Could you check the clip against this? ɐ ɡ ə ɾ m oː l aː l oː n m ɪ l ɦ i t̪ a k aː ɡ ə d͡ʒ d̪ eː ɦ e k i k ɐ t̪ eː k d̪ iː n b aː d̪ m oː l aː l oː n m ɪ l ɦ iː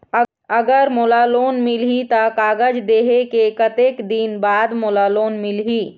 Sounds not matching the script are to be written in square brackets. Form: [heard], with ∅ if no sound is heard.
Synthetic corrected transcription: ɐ ɡ ə ɾ m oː l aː l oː n m ɪ l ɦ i t̪ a k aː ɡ ə d͡ʒ d̪ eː ɦ e k [e] k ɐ t̪ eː k d̪ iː n b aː d̪ m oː l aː l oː n m ɪ l ɦ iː